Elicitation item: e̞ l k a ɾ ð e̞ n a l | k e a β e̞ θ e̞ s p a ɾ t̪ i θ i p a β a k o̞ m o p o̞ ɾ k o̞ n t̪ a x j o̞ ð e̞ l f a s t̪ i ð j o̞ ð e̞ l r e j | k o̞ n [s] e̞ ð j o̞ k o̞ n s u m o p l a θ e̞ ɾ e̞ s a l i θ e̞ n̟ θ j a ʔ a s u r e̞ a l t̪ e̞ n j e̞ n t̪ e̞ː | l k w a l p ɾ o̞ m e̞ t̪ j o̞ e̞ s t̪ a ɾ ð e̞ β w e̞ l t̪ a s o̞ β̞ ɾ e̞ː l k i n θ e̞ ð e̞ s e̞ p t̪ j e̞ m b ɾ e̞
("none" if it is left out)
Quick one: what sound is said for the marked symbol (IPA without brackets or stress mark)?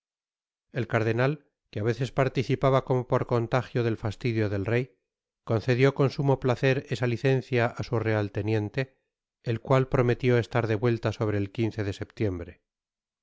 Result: θ